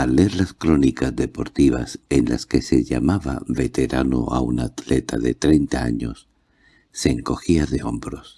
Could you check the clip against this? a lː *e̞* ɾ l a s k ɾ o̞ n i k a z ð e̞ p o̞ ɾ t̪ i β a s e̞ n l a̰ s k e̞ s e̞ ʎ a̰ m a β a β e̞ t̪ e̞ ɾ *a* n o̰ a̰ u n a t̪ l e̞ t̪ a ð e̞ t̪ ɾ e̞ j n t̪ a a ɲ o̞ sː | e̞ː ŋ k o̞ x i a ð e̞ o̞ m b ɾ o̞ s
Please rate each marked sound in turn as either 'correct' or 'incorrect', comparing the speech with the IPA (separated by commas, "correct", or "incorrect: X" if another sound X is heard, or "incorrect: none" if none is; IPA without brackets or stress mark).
correct, correct